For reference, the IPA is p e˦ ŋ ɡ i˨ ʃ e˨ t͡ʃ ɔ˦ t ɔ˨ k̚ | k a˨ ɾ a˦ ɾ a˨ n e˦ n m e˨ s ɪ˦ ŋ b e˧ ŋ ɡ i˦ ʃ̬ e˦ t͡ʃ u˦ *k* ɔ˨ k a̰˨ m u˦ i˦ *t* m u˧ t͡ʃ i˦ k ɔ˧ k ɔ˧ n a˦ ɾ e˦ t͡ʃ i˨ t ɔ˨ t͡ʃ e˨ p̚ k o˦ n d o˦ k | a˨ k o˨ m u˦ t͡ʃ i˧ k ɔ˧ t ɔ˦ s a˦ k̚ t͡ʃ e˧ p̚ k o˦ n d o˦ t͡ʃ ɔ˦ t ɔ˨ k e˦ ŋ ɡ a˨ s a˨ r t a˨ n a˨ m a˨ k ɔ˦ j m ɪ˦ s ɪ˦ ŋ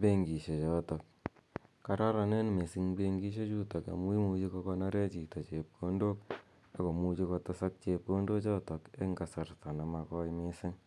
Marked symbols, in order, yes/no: no, no

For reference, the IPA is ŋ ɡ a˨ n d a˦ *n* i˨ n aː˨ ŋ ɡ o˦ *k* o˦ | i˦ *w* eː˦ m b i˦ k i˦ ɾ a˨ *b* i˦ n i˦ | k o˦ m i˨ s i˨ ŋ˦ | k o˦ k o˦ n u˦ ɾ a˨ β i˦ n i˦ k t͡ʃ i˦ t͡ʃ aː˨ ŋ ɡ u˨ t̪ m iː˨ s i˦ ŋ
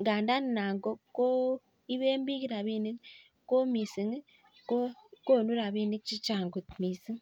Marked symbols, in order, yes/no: yes, yes, no, no

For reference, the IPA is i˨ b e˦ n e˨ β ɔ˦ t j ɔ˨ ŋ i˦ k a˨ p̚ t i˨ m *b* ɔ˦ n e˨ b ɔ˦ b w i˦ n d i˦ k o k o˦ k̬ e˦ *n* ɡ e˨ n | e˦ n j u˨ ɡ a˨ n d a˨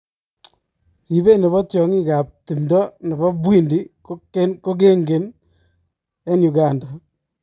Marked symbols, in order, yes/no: no, no

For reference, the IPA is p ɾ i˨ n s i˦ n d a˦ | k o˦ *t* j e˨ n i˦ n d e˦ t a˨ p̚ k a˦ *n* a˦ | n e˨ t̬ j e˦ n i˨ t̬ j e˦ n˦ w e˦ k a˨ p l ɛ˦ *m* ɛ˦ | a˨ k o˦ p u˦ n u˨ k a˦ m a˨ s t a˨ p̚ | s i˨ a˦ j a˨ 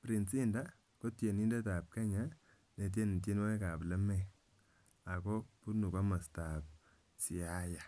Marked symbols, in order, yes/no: yes, no, yes

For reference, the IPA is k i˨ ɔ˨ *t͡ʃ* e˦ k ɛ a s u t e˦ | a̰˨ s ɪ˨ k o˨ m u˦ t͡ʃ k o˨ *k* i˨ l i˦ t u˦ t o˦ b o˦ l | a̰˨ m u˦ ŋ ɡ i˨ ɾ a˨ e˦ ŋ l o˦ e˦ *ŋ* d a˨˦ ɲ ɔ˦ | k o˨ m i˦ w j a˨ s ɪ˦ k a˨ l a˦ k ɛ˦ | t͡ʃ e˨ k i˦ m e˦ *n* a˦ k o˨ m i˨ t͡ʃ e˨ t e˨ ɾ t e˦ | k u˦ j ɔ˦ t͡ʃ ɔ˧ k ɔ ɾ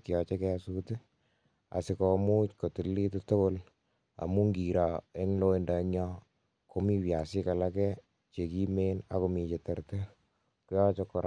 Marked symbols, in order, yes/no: yes, no, no, yes

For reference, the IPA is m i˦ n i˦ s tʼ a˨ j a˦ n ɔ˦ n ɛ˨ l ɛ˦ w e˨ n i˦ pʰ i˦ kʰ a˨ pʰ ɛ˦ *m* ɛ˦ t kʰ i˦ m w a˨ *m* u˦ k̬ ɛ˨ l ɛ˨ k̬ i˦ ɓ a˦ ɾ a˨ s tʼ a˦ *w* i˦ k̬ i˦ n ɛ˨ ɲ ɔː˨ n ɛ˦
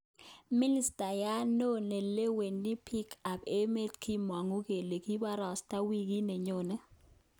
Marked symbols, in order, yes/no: yes, no, yes

